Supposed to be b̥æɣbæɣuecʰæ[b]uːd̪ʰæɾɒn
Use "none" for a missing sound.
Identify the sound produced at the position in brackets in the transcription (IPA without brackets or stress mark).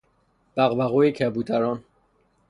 b